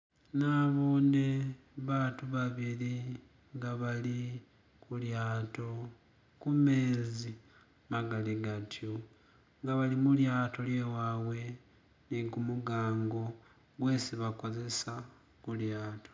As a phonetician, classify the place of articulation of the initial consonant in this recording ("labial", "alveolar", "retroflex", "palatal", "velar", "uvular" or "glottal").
alveolar